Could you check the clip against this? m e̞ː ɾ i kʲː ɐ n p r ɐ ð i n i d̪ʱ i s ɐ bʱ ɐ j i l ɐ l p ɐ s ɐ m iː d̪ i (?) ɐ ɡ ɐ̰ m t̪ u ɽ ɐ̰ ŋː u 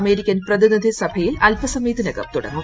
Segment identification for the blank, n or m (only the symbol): n